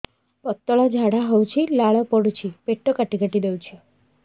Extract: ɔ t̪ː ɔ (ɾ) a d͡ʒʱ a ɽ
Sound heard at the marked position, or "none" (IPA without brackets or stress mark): ɭ